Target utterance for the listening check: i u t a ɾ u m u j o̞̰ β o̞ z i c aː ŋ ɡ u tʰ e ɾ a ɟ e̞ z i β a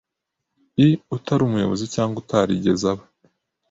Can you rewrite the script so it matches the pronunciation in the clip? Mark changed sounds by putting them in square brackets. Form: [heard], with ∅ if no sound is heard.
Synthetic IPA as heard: i u t a ɾ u m u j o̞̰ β o̞ z i c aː ŋ ɡ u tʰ [a] ɾ [i] ɟ e̞ z [a] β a